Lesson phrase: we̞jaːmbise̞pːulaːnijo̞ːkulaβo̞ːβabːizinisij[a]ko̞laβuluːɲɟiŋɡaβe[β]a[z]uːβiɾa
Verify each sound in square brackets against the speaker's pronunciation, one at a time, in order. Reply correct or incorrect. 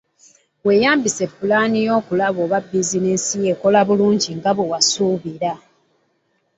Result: incorrect, incorrect, incorrect

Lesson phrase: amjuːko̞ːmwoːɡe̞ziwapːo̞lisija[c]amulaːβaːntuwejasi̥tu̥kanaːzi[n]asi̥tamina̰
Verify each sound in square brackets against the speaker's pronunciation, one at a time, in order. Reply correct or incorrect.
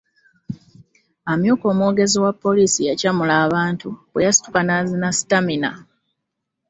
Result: correct, correct

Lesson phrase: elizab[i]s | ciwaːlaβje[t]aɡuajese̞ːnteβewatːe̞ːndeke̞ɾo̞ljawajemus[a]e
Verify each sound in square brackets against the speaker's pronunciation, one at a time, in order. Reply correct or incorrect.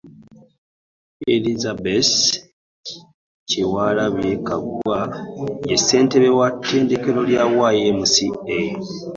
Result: incorrect, incorrect, incorrect

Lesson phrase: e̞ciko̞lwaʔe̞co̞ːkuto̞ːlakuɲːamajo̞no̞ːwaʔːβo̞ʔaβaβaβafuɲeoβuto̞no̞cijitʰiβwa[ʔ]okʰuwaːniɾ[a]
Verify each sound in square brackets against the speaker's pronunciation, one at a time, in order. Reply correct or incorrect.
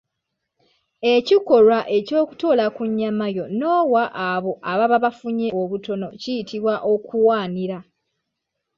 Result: correct, correct

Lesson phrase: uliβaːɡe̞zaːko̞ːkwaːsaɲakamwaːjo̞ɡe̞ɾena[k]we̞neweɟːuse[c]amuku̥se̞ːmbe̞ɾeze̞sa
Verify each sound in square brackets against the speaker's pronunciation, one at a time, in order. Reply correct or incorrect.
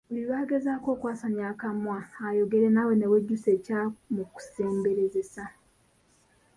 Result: incorrect, correct

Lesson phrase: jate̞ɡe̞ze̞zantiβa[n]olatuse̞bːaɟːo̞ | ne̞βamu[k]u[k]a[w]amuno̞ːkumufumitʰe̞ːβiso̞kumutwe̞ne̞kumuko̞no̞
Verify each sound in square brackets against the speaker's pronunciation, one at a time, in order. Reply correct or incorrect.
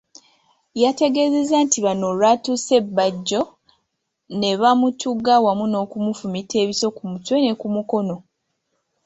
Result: correct, incorrect, incorrect, correct

